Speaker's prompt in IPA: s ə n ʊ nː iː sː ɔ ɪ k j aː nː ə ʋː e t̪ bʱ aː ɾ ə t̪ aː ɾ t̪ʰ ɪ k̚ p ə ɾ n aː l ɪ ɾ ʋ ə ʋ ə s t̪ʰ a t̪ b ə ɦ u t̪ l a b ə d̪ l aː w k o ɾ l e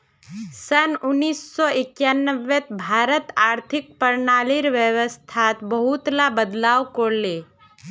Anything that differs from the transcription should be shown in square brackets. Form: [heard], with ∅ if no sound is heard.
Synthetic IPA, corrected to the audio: s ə n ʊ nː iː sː ɔ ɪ k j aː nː ə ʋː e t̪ bʱ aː ɾ ə t̪ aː ɾ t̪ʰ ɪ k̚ p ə ɾ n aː l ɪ ɾ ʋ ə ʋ ə s t̪ʰ a t̪ b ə ɦ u t̪ l a b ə d̪ l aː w k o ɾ l e